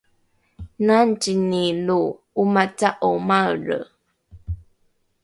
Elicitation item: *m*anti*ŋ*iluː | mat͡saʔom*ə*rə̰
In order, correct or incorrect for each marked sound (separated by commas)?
incorrect, incorrect, incorrect